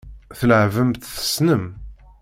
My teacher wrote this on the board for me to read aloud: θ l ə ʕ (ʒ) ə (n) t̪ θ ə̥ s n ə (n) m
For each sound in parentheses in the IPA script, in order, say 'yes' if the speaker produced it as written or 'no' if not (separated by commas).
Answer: no, no, no